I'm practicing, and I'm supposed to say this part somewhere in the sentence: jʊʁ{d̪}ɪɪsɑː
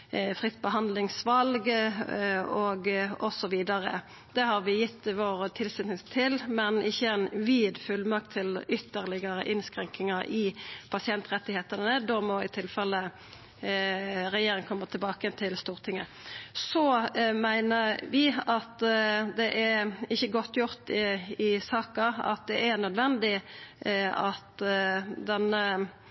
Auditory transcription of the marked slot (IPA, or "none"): t̪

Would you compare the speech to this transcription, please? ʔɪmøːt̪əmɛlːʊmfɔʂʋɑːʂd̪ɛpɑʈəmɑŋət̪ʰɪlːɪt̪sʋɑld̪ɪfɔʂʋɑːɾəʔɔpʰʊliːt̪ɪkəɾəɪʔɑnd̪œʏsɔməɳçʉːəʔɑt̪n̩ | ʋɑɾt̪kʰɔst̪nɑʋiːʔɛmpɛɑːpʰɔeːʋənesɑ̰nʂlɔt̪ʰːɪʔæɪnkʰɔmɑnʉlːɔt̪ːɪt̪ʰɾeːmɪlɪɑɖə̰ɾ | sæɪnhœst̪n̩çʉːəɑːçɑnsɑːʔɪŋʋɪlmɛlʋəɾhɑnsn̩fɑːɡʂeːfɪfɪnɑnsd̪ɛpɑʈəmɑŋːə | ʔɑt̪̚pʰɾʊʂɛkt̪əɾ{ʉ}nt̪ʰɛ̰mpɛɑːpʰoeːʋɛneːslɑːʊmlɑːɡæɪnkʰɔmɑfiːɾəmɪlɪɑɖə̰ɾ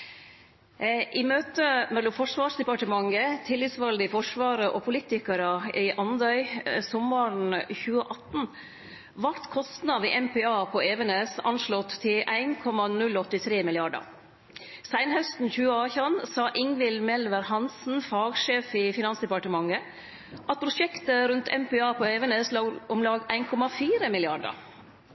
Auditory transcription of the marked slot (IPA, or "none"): ʉ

